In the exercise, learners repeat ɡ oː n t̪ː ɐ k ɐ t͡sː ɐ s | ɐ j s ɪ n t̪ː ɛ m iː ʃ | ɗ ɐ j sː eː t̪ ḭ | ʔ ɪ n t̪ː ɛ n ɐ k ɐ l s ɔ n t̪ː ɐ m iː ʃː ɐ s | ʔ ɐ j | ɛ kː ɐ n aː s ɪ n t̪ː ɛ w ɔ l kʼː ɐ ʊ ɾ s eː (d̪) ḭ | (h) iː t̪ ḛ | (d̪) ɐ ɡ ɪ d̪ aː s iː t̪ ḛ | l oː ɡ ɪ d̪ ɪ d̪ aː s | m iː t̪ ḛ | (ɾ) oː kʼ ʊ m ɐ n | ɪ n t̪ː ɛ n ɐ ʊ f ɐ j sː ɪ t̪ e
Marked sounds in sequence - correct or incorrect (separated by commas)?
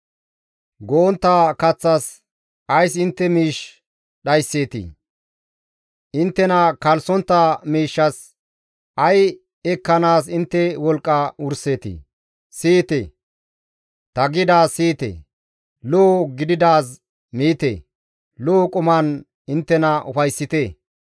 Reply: incorrect, incorrect, incorrect, incorrect